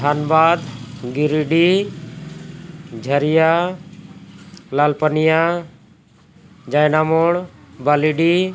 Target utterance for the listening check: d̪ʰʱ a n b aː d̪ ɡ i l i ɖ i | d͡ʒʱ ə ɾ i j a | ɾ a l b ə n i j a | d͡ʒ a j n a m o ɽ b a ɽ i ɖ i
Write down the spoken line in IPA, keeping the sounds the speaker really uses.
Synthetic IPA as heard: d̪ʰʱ a n b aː d̪ ɡ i ɾ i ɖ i | d͡ʒʱ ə ɾ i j a | l a l p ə n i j a | d͡ʒ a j n a m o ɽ b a l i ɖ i